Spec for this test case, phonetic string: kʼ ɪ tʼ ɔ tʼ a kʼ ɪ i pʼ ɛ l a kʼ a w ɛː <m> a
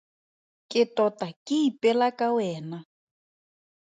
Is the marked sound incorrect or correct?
incorrect